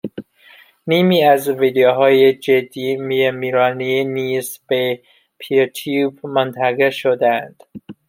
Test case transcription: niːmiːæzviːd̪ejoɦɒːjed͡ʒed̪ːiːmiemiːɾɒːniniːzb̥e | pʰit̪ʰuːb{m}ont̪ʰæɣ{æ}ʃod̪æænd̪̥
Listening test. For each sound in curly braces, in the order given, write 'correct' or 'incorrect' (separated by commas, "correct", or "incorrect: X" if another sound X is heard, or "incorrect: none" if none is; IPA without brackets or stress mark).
correct, incorrect: e